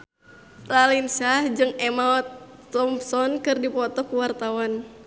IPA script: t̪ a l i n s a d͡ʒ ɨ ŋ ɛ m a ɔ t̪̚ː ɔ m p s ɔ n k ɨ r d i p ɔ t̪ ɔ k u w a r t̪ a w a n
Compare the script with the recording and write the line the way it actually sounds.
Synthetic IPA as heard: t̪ a l i n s a d͡ʒ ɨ ŋ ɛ m a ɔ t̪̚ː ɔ m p s ɔ n k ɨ r d i p ɔ t̪ ɔ k u w a r t̪ a w a n